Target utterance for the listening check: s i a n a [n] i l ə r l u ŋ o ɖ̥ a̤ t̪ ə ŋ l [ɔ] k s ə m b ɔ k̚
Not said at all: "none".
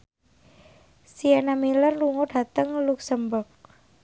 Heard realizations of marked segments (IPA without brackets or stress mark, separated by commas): m, u